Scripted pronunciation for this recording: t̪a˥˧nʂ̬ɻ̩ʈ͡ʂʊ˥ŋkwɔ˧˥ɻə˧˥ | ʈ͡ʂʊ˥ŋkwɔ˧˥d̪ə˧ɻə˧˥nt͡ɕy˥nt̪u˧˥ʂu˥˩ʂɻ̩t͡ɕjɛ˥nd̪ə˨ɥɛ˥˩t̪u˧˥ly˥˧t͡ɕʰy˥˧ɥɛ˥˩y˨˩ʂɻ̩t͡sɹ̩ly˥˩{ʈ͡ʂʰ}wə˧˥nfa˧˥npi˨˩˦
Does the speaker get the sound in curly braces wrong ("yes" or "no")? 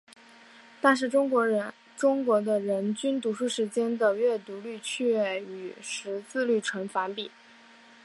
no